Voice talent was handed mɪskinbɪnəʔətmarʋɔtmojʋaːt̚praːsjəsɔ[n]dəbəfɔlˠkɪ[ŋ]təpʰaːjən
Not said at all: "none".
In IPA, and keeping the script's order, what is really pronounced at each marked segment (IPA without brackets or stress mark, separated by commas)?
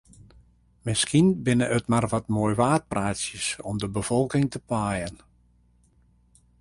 m, ŋ